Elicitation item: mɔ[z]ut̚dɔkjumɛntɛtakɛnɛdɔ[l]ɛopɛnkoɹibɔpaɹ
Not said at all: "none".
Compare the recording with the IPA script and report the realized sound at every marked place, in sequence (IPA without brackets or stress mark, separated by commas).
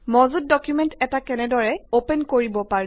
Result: z, ɹ